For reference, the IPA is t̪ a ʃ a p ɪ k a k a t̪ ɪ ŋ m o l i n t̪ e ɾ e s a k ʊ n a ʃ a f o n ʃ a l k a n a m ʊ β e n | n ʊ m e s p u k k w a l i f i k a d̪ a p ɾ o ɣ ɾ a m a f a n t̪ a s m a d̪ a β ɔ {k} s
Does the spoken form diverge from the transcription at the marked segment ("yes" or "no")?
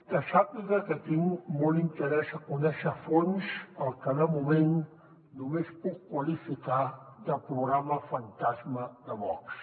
no